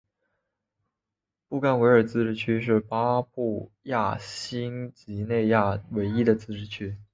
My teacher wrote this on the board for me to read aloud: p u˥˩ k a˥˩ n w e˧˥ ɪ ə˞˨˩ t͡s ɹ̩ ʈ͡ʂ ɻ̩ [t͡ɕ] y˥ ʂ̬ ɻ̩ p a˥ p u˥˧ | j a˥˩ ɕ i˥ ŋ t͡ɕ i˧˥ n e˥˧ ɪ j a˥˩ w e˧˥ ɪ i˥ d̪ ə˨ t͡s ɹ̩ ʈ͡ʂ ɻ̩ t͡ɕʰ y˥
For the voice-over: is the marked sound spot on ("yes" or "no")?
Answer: no